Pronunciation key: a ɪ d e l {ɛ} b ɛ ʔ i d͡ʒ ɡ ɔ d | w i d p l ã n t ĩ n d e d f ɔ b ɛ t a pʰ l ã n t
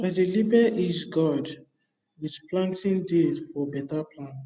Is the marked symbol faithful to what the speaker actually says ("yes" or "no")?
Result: no